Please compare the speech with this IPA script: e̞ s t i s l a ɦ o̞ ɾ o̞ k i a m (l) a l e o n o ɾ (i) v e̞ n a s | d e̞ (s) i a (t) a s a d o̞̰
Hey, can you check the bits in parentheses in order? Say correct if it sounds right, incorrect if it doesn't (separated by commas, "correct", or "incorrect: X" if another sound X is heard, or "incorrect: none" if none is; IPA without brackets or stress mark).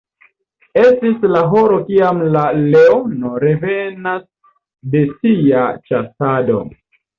correct, incorrect: e, correct, incorrect: t͡ʃ